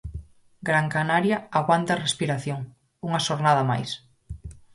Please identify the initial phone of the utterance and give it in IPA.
ɡ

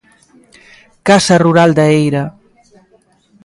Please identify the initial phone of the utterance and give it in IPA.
k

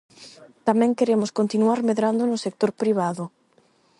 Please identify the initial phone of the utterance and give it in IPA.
t̪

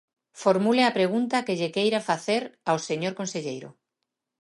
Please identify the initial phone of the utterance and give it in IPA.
f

